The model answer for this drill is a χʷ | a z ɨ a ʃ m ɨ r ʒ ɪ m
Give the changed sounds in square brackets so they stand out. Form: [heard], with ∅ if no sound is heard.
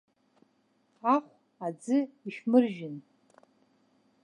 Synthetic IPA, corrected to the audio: a χʷ | a [d͡z] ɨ [i] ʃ m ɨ r ʒ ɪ [n]

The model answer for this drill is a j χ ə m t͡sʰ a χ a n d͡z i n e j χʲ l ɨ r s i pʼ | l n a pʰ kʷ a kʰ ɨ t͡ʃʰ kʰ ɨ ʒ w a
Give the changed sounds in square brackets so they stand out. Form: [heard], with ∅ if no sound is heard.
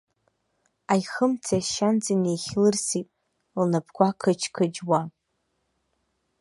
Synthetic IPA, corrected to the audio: a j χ ə m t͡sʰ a [ʃ] a n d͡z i n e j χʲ l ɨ r s i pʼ | l n a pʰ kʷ a kʰ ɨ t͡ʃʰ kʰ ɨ [d͡ʒ] w a

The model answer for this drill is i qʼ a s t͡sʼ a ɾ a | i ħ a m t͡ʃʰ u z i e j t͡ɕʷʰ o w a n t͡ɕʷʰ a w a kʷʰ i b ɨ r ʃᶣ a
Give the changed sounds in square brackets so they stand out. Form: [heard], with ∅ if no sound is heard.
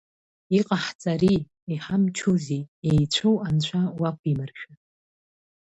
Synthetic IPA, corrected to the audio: i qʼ a [ħ] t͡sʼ a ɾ [i] | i ħ a m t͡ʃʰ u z i e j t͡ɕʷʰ o w a n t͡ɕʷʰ a w a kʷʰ i [m] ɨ r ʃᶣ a

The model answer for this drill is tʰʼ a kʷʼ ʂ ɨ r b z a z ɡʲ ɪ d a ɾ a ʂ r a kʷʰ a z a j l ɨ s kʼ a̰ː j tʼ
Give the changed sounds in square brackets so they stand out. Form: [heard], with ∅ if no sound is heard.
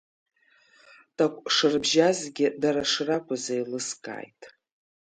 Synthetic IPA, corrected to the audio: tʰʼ a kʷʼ ʂ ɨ r b [ʒ] a z ɡʲ ɪ d a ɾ a ʂ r a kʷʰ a z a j l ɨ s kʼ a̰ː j tʼ

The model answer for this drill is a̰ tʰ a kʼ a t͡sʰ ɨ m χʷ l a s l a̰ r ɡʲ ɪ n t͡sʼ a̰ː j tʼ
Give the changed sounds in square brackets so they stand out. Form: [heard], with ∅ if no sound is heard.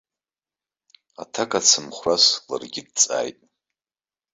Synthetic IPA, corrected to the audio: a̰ tʰ a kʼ a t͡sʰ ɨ m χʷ [r] a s l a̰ r ɡʲ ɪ [d] t͡sʼ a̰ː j tʼ

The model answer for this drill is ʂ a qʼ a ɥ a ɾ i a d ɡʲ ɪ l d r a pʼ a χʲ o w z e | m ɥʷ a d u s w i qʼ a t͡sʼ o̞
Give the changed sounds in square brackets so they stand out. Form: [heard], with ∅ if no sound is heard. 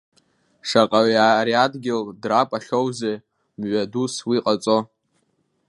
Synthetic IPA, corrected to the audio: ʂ a qʼ a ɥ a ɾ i a d ɡʲ ɪ l d r a pʼ a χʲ o w z e | m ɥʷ a d u s w i qʼ a t͡sʼ o̞

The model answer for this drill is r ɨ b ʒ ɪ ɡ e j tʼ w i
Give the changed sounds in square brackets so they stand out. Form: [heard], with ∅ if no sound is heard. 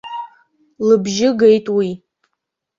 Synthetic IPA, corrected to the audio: [l] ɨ b ʒ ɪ ɡ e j tʼ w i

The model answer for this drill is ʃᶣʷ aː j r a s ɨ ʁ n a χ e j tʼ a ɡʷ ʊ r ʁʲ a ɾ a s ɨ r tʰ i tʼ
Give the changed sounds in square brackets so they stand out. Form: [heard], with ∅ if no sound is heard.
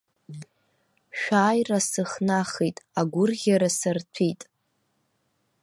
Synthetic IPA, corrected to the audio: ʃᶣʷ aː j r a s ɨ [χ] n a χ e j tʼ a ɡʷ ʊ r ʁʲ a ɾ a s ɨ r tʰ i tʼ

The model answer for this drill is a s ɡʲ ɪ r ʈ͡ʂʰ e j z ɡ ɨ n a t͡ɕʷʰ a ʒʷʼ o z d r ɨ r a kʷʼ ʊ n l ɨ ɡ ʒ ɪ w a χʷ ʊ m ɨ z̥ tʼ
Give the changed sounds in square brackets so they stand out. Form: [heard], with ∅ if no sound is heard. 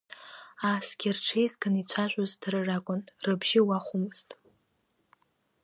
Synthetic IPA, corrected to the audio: a s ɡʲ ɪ r ʈ͡ʂʰ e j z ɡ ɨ n [i] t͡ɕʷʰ a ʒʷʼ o z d r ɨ r a kʷʼ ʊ n [r] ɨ [b] ʒ ɪ w a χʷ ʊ m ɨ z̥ tʼ

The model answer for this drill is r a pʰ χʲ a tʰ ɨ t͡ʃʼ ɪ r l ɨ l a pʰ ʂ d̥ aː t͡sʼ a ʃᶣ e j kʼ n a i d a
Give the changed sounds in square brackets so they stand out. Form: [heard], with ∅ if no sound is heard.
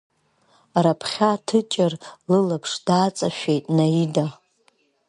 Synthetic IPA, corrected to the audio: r a pʰ χʲ a tʰ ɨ t͡ʃʼ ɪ r l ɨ l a pʰ ʂ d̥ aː t͡sʼ a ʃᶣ e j [tʼ] n a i d a

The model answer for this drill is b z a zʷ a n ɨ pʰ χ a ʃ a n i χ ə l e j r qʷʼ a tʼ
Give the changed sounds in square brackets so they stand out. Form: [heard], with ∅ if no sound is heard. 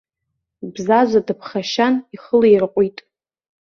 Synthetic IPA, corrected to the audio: b z a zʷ a [d] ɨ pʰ χ a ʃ a n i χ ə l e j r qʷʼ [i] tʼ

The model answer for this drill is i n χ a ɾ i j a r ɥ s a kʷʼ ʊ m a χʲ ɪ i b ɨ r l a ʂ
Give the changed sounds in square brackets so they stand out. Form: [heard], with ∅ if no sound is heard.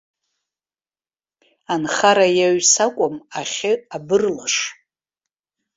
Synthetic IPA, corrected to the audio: [a] n χ a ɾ [a] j a [∅] ɥ s a kʷʼ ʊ m a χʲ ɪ [a] b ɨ r l a ʂ

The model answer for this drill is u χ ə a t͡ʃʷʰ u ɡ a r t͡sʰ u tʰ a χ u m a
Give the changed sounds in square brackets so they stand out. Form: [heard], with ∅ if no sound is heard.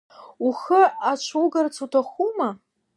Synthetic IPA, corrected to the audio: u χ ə a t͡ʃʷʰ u ɡ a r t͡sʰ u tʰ a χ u m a

